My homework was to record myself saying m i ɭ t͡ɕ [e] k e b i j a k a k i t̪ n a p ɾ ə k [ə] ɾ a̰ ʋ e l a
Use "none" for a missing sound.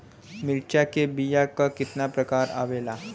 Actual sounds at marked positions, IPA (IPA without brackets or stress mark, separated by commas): a, a